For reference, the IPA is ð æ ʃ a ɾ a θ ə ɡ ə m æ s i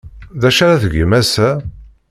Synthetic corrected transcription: ð æ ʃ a ɾ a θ ə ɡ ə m æ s æ